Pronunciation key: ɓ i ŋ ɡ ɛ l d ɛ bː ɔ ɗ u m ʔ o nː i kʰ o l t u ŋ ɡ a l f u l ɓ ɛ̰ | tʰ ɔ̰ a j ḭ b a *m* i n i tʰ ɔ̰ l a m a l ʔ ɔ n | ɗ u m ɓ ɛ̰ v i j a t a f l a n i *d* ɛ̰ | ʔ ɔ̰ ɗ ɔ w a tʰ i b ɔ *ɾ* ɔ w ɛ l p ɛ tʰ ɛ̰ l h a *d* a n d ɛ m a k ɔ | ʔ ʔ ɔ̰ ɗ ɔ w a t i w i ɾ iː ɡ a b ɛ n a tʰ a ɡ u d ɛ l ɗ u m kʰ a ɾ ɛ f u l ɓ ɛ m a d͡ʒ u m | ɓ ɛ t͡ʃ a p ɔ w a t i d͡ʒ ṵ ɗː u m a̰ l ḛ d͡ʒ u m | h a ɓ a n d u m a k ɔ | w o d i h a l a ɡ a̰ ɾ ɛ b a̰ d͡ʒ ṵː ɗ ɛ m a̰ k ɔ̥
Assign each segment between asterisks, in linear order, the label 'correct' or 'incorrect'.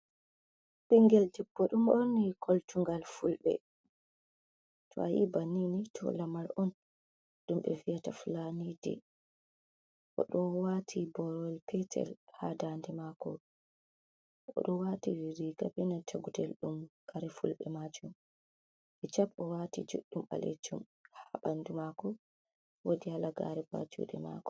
incorrect, correct, correct, correct

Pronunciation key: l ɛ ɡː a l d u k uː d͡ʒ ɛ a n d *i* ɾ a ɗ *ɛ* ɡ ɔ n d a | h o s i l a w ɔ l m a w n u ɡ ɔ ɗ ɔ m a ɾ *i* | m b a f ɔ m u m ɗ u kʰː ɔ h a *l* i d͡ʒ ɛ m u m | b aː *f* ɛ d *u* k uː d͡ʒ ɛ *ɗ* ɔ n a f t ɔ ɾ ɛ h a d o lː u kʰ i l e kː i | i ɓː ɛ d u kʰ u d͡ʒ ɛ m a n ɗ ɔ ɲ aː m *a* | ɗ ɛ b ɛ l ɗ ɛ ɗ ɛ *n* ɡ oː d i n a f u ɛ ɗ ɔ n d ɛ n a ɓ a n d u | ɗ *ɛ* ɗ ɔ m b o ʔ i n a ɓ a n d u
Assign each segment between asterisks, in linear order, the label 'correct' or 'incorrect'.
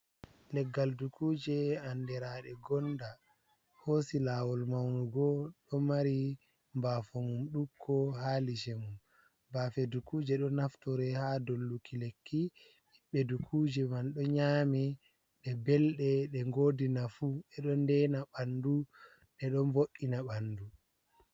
incorrect, correct, correct, correct, correct, correct, correct, incorrect, incorrect, correct

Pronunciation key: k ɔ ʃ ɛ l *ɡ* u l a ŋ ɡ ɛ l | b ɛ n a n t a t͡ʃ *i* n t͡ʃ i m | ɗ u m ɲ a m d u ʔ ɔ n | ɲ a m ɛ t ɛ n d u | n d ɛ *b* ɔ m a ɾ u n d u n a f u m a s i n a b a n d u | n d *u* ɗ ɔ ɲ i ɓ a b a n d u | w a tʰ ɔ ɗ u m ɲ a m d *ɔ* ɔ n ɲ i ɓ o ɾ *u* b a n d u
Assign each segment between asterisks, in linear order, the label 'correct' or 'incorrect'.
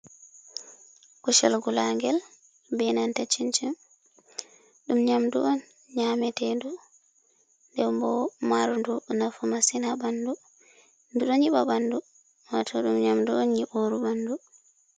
correct, correct, correct, correct, incorrect, correct

